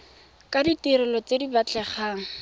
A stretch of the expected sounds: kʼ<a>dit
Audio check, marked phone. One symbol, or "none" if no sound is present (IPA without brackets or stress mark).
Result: a